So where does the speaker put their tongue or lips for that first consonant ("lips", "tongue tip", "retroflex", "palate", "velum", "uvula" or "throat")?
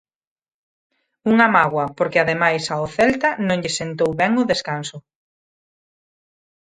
velum